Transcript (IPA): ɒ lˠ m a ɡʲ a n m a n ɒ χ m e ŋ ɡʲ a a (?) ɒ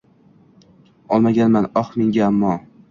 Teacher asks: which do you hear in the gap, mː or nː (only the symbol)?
mː